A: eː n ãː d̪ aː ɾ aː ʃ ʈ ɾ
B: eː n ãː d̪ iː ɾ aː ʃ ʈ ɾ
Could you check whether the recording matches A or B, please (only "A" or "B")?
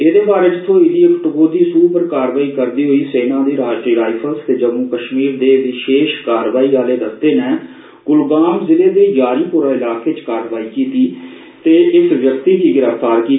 B